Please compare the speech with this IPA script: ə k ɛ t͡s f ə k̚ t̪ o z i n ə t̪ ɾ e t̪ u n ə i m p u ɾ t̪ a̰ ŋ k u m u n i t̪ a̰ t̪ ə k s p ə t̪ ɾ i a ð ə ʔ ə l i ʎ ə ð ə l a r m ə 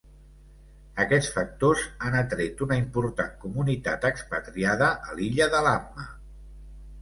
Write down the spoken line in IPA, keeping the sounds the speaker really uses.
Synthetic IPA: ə k ɛ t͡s f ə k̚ t̪ o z a n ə t̪ ɾ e t̪ u n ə i m p u ɾ t̪ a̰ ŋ k u m u n i t̪ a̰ t̪ ə k s p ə t̪ ɾ i a ð ə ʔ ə l i ʎ ə ð ə l a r m ə